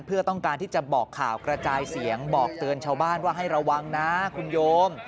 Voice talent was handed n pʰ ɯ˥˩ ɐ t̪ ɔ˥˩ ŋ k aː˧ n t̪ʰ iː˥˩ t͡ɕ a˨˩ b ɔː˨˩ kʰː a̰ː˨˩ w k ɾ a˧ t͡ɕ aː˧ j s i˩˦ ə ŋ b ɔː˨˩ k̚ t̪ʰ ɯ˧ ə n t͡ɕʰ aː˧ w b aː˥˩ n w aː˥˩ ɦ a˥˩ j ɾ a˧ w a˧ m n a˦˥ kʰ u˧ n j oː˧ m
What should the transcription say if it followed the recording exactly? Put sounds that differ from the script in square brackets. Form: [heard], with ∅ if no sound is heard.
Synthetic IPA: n pʰ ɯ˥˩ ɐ t̪ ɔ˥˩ ŋ k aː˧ n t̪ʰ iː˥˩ t͡ɕ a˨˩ b ɔː˨˩ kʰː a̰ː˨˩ w k ɾ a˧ t͡ɕ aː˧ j s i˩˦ ə ŋ b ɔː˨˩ k̚ [t̪] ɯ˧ ə n t͡ɕʰ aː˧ w b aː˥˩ n w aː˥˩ ɦ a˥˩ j ɾ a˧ [wː] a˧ [ŋ] n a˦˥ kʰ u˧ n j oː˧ m